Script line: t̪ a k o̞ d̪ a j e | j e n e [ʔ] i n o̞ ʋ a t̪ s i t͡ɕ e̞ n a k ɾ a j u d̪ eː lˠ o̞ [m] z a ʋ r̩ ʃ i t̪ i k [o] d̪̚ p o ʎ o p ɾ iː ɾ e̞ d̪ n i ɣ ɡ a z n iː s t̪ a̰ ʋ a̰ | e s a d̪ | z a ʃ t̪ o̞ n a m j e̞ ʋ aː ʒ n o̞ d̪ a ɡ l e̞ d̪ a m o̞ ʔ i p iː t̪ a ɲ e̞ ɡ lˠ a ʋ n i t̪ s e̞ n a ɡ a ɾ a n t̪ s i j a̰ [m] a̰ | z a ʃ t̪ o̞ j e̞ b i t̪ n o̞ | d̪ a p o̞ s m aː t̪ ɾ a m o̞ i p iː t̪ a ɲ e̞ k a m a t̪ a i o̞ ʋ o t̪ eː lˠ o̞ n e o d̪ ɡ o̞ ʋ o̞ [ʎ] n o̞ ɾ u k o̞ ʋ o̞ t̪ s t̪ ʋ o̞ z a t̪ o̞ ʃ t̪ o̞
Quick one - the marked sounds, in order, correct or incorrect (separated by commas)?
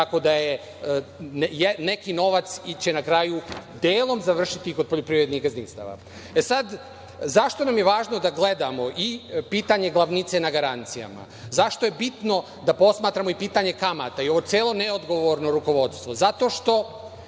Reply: incorrect, correct, correct, correct, incorrect